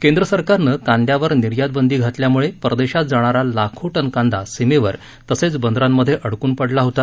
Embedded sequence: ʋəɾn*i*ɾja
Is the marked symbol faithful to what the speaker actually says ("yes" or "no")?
yes